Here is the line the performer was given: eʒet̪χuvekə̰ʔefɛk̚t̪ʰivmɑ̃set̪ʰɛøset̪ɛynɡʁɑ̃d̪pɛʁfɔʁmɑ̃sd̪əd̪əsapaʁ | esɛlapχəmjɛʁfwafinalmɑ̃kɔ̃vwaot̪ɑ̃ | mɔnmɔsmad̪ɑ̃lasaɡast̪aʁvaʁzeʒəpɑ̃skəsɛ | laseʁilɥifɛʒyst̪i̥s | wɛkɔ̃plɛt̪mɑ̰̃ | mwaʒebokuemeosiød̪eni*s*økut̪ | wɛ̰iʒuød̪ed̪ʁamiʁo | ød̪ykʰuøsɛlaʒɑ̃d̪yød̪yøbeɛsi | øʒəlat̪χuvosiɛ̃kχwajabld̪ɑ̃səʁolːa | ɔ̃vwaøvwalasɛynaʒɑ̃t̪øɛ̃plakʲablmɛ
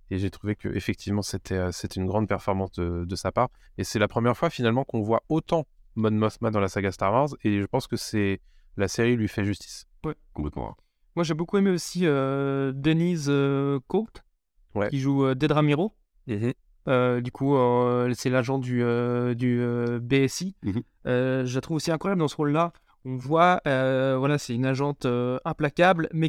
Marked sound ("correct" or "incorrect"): incorrect